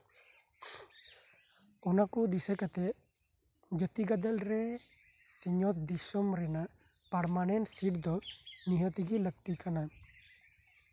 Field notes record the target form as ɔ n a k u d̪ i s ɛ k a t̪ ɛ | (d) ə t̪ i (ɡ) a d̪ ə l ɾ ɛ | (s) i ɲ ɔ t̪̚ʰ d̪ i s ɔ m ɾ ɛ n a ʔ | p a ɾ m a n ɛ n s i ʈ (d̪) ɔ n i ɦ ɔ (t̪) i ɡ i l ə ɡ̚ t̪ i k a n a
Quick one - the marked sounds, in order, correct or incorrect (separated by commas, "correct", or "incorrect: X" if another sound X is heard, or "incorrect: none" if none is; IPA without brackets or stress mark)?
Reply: incorrect: d͡ʒ, correct, correct, correct, correct